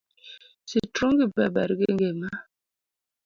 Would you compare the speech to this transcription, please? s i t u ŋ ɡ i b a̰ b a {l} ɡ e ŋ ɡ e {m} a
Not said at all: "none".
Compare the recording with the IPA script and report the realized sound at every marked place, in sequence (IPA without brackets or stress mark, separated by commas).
ɾ, m